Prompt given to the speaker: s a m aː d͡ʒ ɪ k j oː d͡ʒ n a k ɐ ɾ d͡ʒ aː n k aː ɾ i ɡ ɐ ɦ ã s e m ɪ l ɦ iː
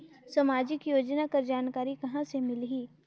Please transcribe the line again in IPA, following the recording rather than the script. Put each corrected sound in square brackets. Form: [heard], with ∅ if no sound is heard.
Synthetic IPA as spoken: s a m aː d͡ʒ ɪ k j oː d͡ʒ n a k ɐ ɾ d͡ʒ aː n k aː ɾ i [k] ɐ ɦ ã s e m ɪ l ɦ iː